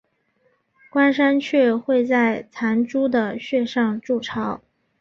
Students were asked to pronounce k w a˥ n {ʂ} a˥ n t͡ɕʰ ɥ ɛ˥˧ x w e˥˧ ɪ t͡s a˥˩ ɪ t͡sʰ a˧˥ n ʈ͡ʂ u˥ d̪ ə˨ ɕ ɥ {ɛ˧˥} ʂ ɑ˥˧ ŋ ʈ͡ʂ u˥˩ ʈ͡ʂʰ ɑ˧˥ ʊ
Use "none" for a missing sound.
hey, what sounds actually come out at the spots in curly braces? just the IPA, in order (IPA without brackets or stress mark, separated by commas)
ʂ, ɛ˥˧